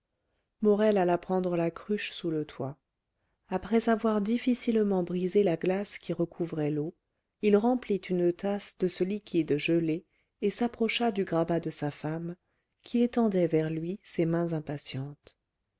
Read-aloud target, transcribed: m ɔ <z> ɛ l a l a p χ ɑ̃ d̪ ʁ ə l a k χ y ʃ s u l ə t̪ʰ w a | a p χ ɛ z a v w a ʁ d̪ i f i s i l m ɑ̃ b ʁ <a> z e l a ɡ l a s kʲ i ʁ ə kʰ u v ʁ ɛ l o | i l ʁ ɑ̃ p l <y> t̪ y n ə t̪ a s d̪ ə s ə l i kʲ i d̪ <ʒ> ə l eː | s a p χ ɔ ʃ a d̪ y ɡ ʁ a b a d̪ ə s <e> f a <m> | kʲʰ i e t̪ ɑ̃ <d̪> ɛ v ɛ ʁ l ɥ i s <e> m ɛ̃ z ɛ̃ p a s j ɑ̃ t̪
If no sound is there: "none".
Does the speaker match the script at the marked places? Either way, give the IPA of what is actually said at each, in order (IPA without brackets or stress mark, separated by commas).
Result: ʁ, i, i, ʒ, a, m, d̪, e